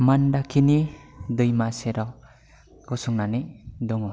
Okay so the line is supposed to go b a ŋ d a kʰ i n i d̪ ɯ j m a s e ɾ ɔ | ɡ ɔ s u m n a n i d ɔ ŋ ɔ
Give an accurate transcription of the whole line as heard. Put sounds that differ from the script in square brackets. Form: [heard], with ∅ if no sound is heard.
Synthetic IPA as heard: [m] a [n] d a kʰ i n i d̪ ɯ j m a s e ɾ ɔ | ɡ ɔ s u [ŋ] n a n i d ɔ ŋ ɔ